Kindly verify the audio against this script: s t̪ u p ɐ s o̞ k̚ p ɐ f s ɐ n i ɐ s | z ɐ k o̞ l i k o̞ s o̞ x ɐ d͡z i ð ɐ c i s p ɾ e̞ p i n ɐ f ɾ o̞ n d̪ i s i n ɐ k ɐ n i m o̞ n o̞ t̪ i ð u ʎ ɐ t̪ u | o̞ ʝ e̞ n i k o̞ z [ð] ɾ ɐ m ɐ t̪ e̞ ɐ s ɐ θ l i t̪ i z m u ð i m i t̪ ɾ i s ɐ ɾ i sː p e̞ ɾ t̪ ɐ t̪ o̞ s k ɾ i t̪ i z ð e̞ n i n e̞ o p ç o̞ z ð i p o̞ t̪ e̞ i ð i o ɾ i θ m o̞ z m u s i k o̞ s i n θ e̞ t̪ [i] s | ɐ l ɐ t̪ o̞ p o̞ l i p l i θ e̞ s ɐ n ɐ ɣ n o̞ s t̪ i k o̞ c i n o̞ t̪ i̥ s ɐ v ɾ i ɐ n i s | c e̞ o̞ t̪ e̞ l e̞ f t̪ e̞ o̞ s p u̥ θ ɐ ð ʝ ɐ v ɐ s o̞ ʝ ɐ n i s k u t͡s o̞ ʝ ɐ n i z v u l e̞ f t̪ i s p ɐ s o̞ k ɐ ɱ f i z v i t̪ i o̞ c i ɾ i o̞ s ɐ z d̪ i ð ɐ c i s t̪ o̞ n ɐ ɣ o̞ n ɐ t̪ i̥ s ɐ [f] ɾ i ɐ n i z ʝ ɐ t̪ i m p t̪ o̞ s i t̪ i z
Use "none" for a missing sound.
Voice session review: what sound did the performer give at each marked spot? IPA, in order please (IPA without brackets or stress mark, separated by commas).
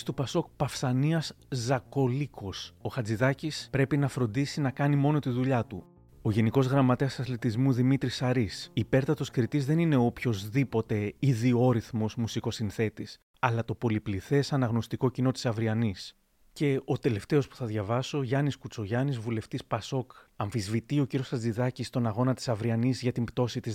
ɣ, i, v